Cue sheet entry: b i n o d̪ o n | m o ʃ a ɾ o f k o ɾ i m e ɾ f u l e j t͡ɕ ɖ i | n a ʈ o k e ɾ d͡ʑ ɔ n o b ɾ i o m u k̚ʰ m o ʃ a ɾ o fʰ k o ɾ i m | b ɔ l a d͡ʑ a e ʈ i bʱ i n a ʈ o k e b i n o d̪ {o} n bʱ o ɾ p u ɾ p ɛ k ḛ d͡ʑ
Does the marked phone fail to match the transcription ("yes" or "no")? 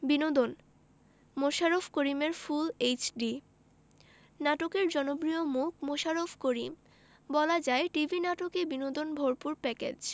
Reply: no